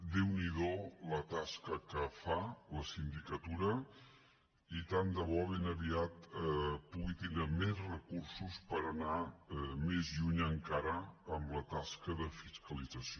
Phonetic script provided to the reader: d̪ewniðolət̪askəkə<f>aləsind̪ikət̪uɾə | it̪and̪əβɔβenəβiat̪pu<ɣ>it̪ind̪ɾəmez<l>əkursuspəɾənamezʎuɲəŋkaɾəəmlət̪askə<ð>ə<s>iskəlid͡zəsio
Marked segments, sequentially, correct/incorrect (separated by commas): correct, correct, incorrect, correct, incorrect